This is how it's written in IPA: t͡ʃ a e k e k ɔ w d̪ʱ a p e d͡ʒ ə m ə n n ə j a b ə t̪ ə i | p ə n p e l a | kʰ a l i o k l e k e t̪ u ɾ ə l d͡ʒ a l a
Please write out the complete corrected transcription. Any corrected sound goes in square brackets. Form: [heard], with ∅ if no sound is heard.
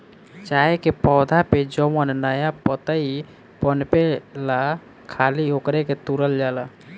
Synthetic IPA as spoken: t͡ʃ a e k e [p] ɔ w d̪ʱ a p e d͡ʒ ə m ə n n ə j a [p] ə t̪ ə i | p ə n p e l a | kʰ a l i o k [ɾ] e k e t̪ u ɾ ə l d͡ʒ a l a